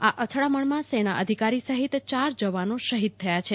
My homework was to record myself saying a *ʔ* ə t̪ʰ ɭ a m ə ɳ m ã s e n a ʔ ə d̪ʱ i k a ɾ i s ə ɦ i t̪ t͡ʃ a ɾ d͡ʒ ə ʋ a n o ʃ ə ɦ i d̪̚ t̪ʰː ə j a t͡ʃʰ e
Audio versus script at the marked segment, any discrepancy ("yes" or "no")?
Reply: no